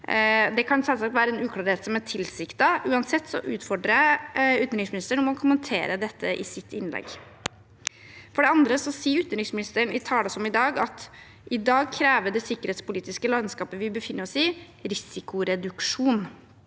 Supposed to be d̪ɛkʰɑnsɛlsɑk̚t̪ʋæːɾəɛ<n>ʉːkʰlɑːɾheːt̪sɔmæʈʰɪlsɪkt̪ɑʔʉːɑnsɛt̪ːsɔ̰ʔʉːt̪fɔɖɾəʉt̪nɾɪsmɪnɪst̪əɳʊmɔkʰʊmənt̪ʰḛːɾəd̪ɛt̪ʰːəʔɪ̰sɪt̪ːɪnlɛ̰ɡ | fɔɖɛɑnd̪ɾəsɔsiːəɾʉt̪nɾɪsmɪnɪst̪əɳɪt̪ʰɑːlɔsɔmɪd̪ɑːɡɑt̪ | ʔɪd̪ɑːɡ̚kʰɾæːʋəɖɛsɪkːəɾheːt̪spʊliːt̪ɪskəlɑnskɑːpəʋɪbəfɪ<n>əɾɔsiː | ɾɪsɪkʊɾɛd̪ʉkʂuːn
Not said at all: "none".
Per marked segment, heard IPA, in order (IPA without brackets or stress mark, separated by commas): n, nː